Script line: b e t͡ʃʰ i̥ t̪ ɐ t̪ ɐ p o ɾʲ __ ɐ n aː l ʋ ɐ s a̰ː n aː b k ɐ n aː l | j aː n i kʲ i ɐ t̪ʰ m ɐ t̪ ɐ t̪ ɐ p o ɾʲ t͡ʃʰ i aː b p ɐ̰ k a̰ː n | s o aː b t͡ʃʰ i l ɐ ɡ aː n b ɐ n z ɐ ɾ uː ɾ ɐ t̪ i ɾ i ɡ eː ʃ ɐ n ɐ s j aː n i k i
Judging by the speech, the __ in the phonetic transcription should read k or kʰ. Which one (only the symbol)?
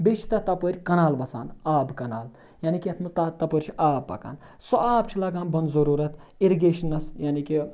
k